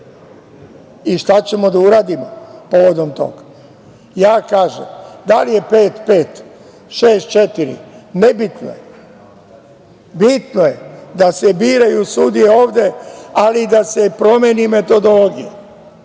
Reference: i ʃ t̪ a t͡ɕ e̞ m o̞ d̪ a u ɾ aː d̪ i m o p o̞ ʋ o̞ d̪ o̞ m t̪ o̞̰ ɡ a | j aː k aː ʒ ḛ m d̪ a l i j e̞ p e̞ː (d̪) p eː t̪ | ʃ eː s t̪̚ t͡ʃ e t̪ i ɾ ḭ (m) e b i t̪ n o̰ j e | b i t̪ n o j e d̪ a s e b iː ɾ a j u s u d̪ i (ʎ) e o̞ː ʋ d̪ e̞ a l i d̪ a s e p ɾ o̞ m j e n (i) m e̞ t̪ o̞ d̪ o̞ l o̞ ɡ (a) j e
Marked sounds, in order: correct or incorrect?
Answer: incorrect: t̪, incorrect: n, incorrect: j, correct, incorrect: i

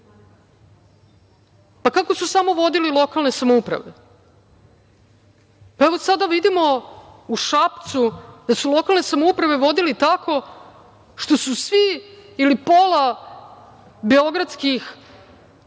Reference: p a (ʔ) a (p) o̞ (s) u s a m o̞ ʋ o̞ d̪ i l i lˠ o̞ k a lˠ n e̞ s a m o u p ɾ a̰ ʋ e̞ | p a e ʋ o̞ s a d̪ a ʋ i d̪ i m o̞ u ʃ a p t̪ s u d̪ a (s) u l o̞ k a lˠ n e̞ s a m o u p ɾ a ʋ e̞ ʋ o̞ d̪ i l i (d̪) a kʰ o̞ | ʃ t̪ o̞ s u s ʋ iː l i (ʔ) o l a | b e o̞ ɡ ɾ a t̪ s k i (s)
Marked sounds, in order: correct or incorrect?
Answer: incorrect: k, incorrect: k, correct, correct, incorrect: t̪, incorrect: p, incorrect: x

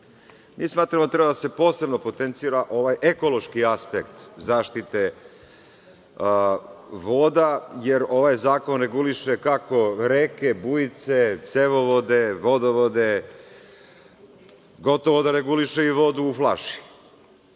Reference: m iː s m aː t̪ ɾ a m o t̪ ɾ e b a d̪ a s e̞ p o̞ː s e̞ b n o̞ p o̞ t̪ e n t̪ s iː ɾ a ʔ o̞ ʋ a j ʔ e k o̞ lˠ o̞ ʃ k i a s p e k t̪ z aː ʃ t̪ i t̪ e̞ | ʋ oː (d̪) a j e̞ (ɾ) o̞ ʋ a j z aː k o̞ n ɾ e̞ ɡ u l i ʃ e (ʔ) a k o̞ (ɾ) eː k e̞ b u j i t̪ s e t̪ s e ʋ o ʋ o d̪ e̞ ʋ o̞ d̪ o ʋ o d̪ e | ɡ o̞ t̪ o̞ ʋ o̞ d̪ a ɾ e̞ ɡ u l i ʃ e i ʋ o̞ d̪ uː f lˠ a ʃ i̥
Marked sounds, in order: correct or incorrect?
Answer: correct, correct, incorrect: k, correct

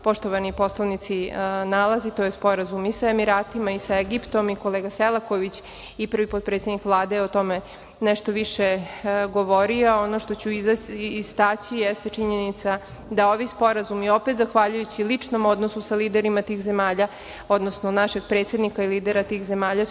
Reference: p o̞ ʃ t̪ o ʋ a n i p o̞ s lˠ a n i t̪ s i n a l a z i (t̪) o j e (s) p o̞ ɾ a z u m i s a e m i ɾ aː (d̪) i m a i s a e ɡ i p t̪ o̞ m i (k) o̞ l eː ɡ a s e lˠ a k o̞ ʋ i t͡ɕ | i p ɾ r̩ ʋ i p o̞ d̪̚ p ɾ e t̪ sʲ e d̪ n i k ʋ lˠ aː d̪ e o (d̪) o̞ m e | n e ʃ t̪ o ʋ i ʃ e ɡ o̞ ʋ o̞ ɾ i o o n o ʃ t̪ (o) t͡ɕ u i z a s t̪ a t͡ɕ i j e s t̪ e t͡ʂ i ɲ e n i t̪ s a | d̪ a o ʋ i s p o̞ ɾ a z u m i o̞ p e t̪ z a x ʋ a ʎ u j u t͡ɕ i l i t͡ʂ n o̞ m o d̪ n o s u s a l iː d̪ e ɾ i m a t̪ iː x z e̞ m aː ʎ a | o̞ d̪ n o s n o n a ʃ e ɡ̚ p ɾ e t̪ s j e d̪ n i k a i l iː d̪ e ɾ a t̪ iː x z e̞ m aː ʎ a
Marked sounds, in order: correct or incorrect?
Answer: correct, correct, incorrect: t̪, correct, incorrect: t̪, correct

